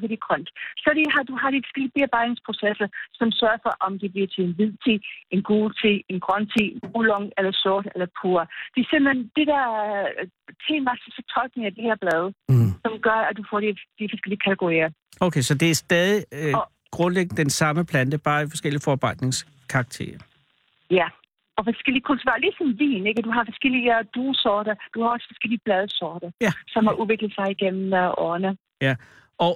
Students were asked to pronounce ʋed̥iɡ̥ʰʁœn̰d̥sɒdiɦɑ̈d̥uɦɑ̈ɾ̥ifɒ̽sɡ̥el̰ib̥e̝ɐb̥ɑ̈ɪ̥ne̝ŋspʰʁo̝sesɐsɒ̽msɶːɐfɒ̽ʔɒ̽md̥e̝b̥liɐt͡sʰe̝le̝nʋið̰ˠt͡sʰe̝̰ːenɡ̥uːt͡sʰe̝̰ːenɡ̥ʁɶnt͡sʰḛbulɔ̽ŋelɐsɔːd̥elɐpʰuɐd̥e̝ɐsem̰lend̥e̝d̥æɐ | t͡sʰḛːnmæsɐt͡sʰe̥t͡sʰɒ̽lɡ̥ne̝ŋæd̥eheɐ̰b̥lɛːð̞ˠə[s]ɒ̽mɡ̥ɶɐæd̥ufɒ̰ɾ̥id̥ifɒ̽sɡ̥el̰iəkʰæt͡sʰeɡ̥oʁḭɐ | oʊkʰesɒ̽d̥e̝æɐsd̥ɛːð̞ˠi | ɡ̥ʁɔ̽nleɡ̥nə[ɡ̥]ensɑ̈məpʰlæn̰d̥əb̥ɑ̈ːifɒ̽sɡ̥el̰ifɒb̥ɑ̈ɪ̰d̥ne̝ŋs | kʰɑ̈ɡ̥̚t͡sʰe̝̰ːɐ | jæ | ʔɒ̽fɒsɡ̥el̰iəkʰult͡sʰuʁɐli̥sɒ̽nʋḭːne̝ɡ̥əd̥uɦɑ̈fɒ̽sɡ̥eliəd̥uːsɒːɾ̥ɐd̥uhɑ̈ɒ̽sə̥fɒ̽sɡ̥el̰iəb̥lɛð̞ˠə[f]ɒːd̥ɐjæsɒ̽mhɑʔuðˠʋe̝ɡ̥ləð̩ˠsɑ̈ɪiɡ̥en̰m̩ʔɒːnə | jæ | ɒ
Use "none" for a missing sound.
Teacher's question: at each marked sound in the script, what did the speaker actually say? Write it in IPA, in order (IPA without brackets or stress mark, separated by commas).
s, d̥, s